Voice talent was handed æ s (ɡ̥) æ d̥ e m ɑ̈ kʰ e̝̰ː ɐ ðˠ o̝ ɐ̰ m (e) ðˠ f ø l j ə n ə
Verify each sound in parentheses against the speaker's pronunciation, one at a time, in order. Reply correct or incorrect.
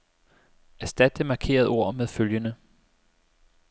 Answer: incorrect, correct

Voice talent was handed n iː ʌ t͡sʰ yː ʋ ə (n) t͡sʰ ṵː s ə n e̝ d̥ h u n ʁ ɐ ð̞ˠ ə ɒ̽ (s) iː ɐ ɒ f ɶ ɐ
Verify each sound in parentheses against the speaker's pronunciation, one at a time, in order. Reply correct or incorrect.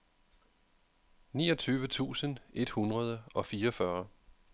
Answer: incorrect, incorrect

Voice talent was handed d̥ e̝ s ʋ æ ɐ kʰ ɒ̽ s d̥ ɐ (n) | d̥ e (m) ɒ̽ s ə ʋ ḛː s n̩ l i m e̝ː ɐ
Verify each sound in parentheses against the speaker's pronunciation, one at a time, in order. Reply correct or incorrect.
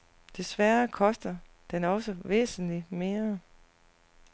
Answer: incorrect, incorrect

